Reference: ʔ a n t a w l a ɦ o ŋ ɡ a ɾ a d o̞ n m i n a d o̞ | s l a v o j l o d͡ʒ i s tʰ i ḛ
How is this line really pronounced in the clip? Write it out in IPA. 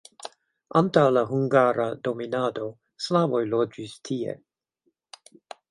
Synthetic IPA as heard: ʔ a n t a w l a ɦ u ŋ ɡ a ɾ a d o̞ m i n a d o̞ | s l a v o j l o d͡ʒ i s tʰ i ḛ